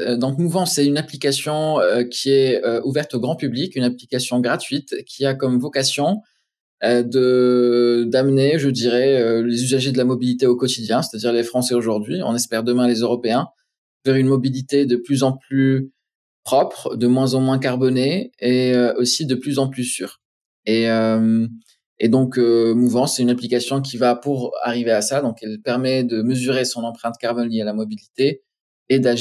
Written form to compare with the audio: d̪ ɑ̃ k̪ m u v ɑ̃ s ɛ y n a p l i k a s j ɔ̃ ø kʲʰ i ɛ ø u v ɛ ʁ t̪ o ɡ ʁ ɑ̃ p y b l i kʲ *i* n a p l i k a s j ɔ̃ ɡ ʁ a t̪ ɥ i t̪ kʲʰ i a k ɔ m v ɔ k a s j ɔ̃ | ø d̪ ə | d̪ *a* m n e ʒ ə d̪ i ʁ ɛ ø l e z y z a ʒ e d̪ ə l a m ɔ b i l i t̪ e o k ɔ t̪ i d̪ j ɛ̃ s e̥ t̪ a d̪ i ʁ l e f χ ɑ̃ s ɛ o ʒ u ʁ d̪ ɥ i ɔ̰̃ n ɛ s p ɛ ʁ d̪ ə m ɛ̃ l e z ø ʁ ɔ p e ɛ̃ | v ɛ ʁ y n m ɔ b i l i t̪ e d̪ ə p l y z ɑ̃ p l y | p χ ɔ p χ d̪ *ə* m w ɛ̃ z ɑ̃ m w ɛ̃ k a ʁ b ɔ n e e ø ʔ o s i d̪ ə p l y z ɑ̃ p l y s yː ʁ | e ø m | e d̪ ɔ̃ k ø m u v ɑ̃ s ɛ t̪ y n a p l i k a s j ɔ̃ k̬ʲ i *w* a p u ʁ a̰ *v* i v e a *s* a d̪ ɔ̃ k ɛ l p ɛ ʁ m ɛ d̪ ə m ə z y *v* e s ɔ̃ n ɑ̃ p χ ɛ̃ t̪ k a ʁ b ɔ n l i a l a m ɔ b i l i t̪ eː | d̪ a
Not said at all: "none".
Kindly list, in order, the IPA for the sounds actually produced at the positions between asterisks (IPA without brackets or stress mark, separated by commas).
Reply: y, a, ə, v, ʁ, s, ʁ